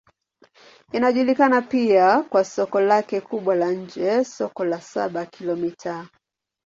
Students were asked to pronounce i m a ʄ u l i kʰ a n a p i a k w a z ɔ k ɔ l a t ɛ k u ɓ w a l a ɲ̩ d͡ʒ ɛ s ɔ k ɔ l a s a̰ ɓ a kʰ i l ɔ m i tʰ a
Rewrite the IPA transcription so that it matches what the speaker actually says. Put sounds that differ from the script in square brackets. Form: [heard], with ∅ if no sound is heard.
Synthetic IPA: i [n] a ʄ u l i [k] a n a p i a k w a [s] ɔ k ɔ l a [k] ɛ k u ɓ w a l a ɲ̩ d͡ʒ ɛ s ɔ k ɔ l a s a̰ ɓ a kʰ i l ɔ m i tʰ a